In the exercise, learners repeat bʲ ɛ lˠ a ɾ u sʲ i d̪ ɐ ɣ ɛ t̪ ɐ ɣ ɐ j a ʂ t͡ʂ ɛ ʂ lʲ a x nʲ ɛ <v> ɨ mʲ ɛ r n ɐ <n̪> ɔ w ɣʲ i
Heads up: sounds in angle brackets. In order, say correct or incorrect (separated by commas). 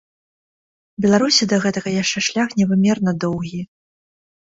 correct, incorrect